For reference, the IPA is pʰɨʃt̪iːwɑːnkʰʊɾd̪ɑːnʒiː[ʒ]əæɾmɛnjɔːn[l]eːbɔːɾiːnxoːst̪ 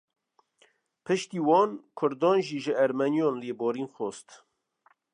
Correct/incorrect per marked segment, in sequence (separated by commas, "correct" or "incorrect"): correct, correct